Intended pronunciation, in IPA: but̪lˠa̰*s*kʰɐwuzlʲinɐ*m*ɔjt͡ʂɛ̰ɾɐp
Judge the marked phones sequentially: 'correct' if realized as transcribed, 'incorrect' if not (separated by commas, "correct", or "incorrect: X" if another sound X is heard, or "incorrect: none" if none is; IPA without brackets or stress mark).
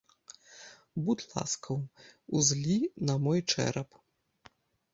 correct, correct